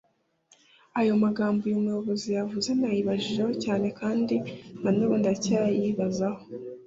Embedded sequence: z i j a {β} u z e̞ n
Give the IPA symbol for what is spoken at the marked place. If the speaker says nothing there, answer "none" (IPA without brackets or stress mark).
v